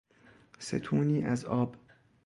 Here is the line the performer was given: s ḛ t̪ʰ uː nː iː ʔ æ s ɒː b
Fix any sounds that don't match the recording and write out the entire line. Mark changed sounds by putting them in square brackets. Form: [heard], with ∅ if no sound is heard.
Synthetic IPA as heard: s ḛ t̪ʰ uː [n] iː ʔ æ [z] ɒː b